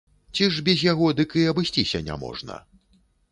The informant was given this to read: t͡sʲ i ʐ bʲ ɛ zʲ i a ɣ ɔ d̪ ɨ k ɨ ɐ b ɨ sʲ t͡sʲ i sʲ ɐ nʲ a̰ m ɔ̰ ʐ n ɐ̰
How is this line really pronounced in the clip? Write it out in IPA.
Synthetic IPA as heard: t͡sʲ i ʐ bʲ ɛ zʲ j a ɣ ɔ d̪ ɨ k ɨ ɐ b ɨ sʲ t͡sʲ i sʲ ɐ nʲ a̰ m ɔ̰ ʐ n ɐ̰